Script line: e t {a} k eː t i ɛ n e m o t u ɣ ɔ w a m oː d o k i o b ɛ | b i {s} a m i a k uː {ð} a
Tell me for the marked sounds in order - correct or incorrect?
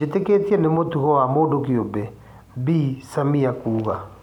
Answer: incorrect, correct, incorrect

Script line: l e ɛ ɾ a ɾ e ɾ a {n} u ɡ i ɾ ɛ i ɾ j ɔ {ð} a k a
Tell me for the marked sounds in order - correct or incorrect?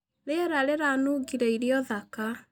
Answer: correct, correct

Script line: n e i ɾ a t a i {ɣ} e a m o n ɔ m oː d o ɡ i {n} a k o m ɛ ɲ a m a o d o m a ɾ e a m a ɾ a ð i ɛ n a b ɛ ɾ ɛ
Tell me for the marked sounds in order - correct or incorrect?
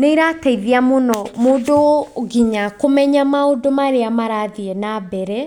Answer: incorrect, incorrect

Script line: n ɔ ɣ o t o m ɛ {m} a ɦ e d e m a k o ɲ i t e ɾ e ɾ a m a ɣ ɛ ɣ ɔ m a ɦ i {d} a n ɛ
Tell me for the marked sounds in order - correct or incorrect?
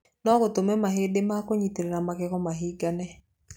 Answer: correct, incorrect

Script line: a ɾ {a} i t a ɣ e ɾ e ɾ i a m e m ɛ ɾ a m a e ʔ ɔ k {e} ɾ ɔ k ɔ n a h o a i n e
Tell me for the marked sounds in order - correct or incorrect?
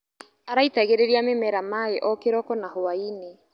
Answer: correct, correct

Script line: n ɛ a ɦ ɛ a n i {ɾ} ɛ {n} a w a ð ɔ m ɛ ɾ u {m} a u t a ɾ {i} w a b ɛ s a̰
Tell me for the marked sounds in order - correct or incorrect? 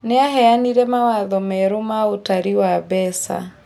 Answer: correct, incorrect, correct, correct

